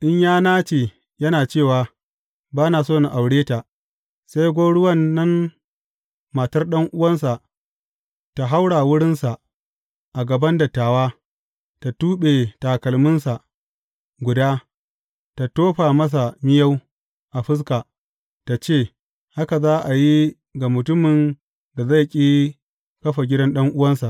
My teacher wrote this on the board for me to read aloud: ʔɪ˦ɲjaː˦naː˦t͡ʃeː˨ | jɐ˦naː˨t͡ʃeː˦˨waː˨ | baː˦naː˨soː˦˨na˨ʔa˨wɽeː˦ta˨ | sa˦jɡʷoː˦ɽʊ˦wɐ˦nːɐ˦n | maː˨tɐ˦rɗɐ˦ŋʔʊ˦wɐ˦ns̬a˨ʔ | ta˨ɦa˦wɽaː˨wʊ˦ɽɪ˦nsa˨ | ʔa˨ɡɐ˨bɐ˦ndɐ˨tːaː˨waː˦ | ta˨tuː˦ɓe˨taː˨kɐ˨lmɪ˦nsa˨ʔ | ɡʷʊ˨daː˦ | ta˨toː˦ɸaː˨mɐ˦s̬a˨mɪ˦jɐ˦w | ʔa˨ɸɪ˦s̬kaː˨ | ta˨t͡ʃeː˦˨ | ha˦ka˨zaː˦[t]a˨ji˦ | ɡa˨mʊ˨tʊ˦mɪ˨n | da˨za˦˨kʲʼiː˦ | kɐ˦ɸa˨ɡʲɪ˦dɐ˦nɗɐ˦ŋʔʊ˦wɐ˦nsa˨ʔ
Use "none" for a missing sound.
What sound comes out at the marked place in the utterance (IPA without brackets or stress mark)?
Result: ʔ